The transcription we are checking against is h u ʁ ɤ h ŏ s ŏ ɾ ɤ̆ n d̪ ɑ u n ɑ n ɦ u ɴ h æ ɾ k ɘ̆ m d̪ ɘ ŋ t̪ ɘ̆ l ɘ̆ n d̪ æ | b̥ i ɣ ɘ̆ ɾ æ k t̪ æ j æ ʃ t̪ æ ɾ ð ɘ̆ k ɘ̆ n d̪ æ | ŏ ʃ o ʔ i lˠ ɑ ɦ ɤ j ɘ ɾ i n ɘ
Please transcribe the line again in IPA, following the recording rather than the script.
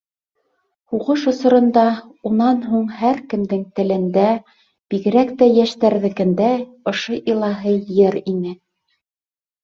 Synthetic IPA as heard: h u ʁ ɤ ʃ ŏ s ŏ ɾ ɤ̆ n d̪ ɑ u n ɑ n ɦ u ɴ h æ ɾ k ɘ̆ m d̪ ɘ ŋ t̪ ɘ̆ l ɘ̆ n d̪ æ | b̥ i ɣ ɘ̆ ɾ æ k t̪ æ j æ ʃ t̪ æ ɾ ð ɘ̆ k ɘ̆ n d̪ æ | ŏ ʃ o ʔ i lˠ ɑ ɦ ɤ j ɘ ɾ i n ɘ

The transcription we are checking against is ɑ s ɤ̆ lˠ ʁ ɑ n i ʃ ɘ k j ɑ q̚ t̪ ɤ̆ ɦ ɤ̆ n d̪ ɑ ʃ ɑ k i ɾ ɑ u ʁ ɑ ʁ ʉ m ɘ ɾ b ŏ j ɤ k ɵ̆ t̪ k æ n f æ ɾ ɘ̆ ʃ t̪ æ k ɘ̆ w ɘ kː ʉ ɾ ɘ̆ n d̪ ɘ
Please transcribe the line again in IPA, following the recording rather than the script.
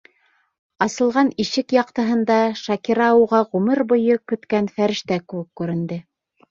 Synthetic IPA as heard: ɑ s ɤ̆ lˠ ʁ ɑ n i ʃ ɘ k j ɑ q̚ t̪ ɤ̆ ɦ ɤ̆ n d̪ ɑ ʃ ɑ k i ɾ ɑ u ʁ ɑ ʁ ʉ m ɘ ɾ b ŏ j ɤ k ɵ̆ t̪ k æ n f æ ɾ ɘ̆ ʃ t̪ æ k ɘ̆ w ɘ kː ʉ ɾ ɘ̆ n d̪ ɘ

